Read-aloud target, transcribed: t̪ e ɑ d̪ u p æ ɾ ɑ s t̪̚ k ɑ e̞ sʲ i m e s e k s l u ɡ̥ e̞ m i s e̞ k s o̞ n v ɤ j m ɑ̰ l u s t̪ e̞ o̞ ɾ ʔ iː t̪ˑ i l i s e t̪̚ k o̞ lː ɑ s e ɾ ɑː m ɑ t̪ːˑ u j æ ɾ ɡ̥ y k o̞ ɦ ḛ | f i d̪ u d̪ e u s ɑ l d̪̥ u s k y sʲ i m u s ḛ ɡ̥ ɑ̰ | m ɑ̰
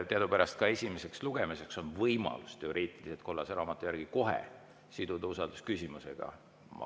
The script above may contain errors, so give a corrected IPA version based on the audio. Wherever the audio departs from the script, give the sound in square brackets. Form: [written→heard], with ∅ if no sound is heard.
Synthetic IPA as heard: t̪ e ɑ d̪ u p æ ɾ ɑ s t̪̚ k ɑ e̞ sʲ i m e s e k s l u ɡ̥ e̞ m i s e̞ k s o̞ n v ɤ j m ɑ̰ l u s t̪ e̞ o̞ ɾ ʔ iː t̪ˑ i l i s e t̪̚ k o̞ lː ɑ s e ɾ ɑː m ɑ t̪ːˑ u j æ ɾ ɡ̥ [y→i] k o̞ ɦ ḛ | [f→s] i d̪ u d̪ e u s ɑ l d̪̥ u s k y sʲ i m u s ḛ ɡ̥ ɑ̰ | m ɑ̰